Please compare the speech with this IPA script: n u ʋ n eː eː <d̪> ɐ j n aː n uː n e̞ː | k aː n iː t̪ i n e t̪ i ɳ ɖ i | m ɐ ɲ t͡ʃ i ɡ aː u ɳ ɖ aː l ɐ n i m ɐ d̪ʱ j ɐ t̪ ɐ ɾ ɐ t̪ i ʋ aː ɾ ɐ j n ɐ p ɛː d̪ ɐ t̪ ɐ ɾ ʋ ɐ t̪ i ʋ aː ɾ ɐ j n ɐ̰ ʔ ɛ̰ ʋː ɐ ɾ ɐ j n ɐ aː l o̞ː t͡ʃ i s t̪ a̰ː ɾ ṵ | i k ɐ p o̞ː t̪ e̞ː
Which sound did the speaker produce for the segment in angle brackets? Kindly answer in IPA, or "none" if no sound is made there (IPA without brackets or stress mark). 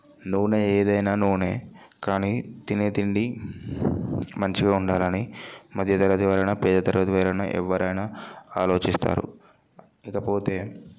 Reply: d̪